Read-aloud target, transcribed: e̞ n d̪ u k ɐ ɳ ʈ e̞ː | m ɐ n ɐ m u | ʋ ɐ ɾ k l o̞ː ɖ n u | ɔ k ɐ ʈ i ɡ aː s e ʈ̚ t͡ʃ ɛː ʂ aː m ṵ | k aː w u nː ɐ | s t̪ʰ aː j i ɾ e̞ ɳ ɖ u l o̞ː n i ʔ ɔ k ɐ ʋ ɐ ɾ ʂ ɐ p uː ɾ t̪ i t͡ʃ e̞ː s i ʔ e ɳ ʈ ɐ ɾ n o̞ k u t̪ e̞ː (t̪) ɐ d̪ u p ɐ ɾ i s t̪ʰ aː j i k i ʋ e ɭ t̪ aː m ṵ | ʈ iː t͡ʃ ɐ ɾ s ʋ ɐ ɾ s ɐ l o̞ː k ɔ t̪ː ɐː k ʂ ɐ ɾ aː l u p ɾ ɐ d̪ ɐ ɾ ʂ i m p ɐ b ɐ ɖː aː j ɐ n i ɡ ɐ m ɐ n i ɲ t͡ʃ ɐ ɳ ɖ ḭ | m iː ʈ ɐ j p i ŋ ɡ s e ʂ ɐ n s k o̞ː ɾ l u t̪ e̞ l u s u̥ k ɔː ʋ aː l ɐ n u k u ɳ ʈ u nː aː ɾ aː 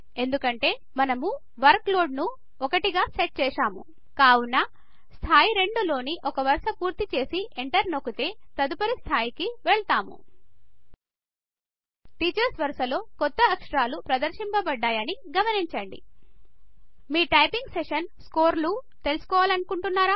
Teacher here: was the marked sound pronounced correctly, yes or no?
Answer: yes